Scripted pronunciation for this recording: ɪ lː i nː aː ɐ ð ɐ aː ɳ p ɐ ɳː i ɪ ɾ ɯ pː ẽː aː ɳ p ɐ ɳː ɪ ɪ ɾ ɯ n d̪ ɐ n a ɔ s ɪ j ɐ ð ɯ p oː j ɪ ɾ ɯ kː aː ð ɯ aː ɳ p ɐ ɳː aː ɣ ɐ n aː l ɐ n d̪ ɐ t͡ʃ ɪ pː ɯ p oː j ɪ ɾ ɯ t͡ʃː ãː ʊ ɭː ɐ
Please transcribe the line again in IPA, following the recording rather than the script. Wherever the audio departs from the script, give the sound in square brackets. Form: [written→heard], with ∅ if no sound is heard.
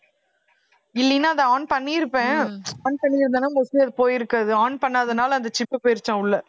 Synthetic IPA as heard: ɪ lː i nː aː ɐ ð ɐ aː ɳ p ɐ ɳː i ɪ ɾ ɯ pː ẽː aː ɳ p ɐ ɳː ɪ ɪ ɾ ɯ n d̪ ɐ n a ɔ s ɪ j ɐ ð ɯ p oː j ɪ ɾ ɯ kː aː ð ɯ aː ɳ p ɐ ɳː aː [ɣ→ð] ɐ n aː l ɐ n d̪ ɐ t͡ʃ ɪ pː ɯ p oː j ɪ ɾ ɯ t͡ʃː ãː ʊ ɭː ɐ